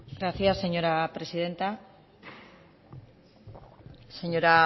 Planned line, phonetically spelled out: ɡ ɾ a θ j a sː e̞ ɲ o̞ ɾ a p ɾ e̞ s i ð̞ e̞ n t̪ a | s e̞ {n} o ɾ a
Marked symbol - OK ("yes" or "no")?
no